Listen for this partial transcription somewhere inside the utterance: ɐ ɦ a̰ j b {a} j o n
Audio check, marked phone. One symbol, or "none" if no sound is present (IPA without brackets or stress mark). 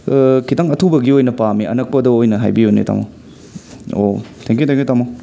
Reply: i